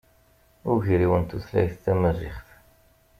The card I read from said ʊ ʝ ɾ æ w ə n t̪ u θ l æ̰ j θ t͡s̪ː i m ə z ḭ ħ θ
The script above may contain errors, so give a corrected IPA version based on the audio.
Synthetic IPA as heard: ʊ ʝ ɾ i w ə n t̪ u θ l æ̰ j θ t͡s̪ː æ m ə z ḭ χ θ